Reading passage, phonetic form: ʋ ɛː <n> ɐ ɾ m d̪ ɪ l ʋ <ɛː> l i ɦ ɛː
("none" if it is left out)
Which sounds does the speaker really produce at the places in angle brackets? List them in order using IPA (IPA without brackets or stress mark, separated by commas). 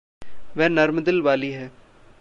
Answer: n, aː